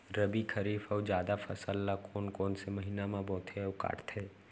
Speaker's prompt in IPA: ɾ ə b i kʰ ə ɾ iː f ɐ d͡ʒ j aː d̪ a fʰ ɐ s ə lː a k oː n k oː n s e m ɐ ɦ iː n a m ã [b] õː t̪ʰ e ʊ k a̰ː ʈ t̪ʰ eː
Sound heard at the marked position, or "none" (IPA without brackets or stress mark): b